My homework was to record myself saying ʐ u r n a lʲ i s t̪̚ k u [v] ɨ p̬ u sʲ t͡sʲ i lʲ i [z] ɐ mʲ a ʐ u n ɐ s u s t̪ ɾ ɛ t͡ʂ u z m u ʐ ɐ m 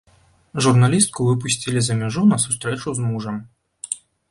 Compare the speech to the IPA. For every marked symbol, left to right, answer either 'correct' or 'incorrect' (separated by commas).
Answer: correct, correct